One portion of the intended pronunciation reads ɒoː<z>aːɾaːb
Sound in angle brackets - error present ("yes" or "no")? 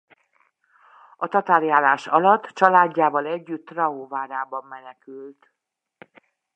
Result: yes